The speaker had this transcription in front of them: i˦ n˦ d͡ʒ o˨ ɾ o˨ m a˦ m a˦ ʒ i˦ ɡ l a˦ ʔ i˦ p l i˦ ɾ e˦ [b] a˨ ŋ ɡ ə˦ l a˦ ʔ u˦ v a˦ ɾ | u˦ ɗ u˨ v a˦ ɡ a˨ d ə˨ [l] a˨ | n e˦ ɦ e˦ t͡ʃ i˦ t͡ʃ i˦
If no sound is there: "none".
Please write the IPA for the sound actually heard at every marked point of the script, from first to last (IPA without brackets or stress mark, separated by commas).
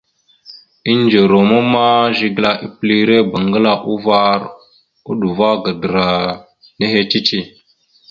b, ɾ